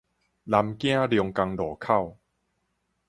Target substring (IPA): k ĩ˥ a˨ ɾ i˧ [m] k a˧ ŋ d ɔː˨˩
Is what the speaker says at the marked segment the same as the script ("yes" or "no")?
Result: no